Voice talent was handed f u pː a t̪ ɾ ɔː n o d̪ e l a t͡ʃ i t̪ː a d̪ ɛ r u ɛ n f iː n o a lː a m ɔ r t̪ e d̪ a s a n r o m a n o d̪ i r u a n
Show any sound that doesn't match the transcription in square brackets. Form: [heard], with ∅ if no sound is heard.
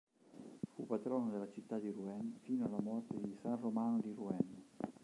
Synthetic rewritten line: f u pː a t̪ ɾ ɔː n o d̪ e l a t͡ʃ i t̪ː a d̪ [i] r u ɛ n f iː n o a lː a m ɔ r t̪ e d̪ [i] s a n r o m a n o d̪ i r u [ɛ] n

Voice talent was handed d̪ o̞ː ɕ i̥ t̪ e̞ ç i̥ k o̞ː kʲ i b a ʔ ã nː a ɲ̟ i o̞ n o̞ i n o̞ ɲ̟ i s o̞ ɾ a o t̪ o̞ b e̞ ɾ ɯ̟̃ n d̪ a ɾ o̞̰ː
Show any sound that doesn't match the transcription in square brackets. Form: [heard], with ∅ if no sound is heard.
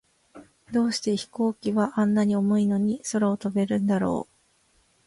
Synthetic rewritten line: d̪ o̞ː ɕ i̥ t̪ e̞ ç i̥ k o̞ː kʲ i [β] a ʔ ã nː a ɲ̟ i o̞ [m] o̞ i n o̞ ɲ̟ i s o̞ ɾ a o t̪ o̞ b e̞ ɾ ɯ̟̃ n d̪ a ɾ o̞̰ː

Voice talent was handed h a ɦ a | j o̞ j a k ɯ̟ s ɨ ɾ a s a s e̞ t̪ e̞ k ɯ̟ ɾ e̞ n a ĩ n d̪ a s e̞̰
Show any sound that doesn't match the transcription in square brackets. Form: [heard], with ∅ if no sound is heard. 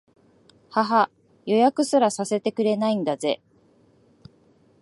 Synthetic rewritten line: h a ɦ a | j o̞ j a k ɯ̟ s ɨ ɾ a s a s e̞ t̪ e̞ k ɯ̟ ɾ e̞ n a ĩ n d̪ a [z] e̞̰

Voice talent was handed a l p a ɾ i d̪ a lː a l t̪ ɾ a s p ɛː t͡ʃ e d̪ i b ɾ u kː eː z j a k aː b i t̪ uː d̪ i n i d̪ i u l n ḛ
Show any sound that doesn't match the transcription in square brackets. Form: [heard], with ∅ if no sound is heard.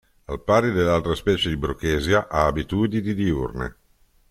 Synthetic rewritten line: a l p a ɾ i d̪ [e] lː a l t̪ ɾ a s p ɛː t͡ʃ e d̪ i b ɾ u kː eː z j a [ʔ] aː b i t̪ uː d̪ i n i d̪ i u [r] n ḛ

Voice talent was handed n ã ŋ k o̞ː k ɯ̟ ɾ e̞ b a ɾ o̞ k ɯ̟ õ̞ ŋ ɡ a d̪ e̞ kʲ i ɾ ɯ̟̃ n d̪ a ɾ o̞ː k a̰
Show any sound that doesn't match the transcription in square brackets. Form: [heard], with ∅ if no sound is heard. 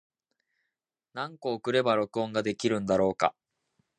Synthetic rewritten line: n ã ŋ k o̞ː k ɯ̟ ɾ e̞ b a ɾ o̞ k ɯ̟ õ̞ ŋ ɡ a d̪ e̞ kʲ i ɾ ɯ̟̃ n d̪ a ɾ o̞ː k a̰

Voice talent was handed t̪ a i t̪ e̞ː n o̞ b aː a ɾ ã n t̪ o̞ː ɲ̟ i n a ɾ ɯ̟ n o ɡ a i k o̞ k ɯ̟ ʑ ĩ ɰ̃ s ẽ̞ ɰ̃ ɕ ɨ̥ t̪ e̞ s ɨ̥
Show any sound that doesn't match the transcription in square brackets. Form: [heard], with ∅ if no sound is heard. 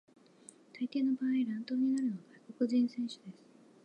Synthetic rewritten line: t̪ a i t̪ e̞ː n o̞ b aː [i] ɾ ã n t̪ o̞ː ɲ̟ i n a ɾ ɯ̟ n o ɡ a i k o̞ k ɯ̟ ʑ ĩ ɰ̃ s ẽ̞ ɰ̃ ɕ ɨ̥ [d̪] e̞ s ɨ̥

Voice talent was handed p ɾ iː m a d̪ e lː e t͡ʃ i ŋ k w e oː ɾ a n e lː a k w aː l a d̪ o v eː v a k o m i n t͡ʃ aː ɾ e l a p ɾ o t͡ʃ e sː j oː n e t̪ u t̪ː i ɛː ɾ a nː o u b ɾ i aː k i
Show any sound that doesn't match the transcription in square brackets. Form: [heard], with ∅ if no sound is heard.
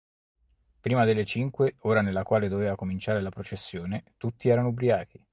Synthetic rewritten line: p ɾ iː m a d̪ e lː e t͡ʃ i ŋ k w e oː ɾ a n e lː a k w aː l [e] d̪ o v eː v a k o m i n t͡ʃ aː ɾ e l a p ɾ o t͡ʃ e sː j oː n e t̪ u t̪ː i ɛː ɾ a [n] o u b ɾ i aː k i

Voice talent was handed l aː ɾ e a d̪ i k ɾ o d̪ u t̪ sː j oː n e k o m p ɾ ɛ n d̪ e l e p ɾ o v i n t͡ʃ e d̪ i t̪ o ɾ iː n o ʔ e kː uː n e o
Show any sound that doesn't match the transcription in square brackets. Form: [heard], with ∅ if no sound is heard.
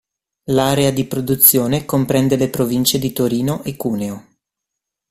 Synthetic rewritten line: l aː ɾ e a d̪ i [p] ɾ o d̪ u t̪ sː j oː n e k o m p ɾ ɛ n d̪ e l e p ɾ o v i n t͡ʃ e d̪ i t̪ o ɾ iː n o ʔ e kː uː n e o

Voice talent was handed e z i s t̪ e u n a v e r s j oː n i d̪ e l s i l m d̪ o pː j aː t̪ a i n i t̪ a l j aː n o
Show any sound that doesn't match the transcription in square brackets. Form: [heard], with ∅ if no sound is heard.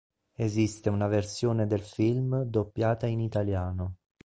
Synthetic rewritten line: e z i s t̪ e u n a v e r s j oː n [e] d̪ e l [f] i l m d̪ o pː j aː t̪ a i n i t̪ a l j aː n o

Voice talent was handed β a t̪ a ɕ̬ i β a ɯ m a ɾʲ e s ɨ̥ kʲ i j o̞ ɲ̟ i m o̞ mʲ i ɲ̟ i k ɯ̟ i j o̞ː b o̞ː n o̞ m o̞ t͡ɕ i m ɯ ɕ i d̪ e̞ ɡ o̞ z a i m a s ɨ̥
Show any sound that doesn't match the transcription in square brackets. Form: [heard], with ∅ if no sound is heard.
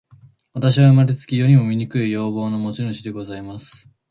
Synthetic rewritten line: β a t̪ a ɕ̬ i β a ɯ m a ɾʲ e [t͡s] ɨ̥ kʲ i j o̞ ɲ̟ i m o̞ mʲ i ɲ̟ i k ɯ̟ i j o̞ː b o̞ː n o̞ m o̞ t͡ɕ i [n] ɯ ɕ i d̪ e̞ ɡ o̞ z a i m a s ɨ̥

